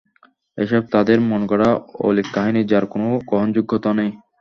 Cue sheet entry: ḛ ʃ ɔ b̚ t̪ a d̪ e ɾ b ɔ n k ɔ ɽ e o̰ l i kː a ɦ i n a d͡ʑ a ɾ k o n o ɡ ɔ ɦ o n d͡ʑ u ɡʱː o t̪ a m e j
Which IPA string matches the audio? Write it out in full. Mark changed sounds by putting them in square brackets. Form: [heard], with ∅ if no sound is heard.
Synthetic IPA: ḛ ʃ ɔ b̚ t̪ a d̪ e ɾ [m] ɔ n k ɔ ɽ [a] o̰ l i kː a ɦ i n [i] d͡ʑ a ɾ k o n o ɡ ɔ ɦ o n d͡ʑ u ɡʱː o t̪ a [n] e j